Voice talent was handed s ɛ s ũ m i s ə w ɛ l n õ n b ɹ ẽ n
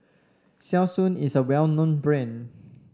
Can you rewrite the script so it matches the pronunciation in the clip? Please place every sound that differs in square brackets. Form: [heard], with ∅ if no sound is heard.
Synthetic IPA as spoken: s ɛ s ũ [n] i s ə w ɛ l n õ n b ɹ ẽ n